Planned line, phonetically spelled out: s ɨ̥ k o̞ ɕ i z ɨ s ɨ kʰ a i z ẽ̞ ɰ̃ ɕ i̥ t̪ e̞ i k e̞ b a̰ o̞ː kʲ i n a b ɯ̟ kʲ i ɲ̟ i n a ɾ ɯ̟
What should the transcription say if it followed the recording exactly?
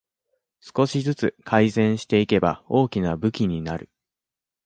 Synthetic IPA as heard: s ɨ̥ k o̞ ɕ i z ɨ t͡s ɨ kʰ a i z ẽ̞ ɰ̃ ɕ i̥ t̪ e̞ i k e̞ b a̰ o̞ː kʲ i n a b ɯ̟ kʲ i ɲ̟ i n a ɾ ɯ̟